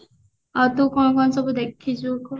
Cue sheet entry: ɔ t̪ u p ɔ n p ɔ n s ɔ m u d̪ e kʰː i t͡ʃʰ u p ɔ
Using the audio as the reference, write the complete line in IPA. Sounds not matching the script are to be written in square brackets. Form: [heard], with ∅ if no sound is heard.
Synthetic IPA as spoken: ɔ t̪ u [k] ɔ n [k] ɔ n s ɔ [b] u d̪ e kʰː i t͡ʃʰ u [k] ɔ

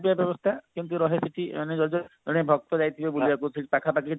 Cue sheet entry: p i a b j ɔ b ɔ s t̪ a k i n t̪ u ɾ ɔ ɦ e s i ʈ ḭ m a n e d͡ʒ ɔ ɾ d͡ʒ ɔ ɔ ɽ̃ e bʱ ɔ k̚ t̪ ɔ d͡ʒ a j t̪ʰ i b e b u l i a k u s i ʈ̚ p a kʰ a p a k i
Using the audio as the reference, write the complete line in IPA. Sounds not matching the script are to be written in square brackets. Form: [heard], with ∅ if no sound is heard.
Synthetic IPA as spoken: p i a b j ɔ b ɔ s [t̪ʰ] a k i n t̪ u ɾ ɔ ɦ e s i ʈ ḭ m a n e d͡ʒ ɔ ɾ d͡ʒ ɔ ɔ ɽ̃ e bʱ ɔ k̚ t̪ ɔ d͡ʒ a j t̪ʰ i b e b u l i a k u s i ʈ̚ p a kʰ a p a k i

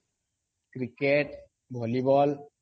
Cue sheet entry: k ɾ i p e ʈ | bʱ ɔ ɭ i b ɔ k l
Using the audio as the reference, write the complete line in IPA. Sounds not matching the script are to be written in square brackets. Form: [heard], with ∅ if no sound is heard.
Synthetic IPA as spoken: k ɾ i [k] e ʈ | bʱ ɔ [l] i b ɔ [∅] l

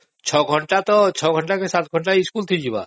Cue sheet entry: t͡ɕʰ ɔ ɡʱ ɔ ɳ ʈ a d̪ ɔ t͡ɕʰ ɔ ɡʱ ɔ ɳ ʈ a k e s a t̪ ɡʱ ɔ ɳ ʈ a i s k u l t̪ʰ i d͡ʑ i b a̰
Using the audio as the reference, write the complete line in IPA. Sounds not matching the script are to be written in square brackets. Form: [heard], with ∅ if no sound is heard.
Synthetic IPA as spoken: t͡ɕʰ ɔ ɡʱ ɔ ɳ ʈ a [t̪] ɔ t͡ɕʰ ɔ ɡʱ ɔ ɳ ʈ a k e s a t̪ ɡʱ ɔ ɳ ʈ a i s k u l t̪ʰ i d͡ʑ i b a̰

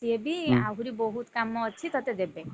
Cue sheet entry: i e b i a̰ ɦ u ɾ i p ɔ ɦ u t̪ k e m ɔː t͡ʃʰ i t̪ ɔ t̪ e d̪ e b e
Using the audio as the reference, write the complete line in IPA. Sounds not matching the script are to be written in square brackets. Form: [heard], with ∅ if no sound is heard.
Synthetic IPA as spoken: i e b i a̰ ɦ u ɾ i [b] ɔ ɦ u t̪ k [a] m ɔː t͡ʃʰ i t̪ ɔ t̪ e d̪ e b e

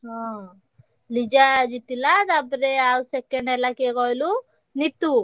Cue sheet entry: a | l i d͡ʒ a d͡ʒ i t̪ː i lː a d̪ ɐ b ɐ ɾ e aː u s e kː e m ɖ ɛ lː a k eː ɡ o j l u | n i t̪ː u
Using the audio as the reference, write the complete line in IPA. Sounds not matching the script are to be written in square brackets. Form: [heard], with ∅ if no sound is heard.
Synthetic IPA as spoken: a | l i d͡ʒ a d͡ʒ i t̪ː i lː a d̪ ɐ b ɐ ɾ e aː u s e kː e [ɳ] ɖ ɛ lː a k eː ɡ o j l u | n i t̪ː u

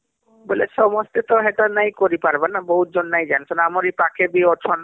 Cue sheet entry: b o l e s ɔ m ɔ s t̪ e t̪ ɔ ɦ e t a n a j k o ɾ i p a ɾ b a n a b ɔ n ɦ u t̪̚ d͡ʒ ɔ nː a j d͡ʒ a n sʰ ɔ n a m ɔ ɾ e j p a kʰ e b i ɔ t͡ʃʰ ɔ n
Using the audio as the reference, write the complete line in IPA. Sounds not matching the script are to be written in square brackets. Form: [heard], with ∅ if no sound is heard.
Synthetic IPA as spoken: b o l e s ɔ m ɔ s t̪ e t̪ ɔ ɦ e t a n a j k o ɾ i p a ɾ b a n a b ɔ [∅] ɦ u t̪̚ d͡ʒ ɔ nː a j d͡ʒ a n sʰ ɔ n a m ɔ ɾ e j p a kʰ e b i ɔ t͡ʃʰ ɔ n

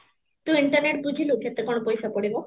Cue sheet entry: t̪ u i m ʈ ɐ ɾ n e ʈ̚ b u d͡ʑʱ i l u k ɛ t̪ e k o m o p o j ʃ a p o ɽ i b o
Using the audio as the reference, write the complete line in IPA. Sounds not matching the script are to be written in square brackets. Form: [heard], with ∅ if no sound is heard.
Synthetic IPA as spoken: t̪ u i [ɳ] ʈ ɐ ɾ n e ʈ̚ b u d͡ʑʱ i l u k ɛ t̪ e k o [n] o p o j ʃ a p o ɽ i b o

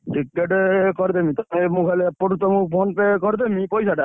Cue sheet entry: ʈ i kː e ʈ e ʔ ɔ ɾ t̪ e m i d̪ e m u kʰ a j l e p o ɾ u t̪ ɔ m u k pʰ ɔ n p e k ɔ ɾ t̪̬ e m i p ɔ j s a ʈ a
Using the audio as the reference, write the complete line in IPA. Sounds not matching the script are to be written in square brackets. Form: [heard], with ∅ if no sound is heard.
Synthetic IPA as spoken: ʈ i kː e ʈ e [k] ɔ ɾ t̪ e m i [t̪] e m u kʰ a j l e p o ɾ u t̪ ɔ m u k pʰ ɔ n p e k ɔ ɾ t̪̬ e m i p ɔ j s a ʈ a

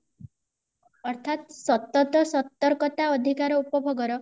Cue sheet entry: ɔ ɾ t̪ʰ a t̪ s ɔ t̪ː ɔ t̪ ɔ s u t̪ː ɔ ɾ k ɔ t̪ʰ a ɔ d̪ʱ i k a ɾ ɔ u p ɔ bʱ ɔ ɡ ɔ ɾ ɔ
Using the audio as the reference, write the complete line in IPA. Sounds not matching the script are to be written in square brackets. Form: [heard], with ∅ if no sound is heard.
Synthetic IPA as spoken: ɔ ɾ t̪ʰ a t̪ s ɔ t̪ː ɔ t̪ ɔ s [ɔ] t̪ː ɔ ɾ k ɔ [t̪] a ɔ d̪ʱ i k a ɾ ɔ u p ɔ bʱ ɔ ɡ ɔ ɾ ɔ

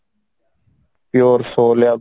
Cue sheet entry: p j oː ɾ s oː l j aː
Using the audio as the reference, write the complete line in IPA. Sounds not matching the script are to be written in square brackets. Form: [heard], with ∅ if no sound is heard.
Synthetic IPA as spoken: p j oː ɾ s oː l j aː

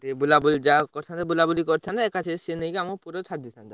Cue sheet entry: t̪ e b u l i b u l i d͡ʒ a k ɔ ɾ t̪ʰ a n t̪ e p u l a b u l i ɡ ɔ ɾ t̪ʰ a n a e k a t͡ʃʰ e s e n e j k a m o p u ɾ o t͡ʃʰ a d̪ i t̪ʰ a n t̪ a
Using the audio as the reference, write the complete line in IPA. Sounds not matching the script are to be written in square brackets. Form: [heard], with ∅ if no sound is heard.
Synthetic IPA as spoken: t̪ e b u l [a] b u l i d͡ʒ a k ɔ ɾ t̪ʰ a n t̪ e [b] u l a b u l i [k] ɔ ɾ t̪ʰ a n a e k a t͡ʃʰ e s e n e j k a m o p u ɾ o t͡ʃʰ a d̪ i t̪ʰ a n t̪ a

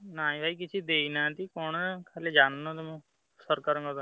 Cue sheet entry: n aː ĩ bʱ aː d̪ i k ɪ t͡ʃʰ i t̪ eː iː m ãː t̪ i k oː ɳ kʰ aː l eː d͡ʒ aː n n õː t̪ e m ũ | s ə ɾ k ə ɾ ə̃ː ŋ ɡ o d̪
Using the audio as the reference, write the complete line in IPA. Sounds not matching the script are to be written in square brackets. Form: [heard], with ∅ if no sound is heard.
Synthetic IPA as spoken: n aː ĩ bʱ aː [∅] i k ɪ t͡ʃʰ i [d̪] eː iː [n] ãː t̪ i k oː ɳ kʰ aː l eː d͡ʒ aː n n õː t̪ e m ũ | s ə ɾ k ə ɾ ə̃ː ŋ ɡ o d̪

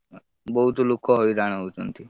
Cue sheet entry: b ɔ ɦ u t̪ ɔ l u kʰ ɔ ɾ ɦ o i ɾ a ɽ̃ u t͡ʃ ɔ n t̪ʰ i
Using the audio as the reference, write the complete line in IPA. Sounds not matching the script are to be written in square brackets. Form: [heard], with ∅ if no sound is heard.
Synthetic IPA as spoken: b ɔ ɦ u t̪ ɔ l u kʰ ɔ [∅] ɦ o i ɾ a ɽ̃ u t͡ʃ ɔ n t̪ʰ i

